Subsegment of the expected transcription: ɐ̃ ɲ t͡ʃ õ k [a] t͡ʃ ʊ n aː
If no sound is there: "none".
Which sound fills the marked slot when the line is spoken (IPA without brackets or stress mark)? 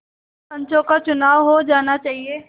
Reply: a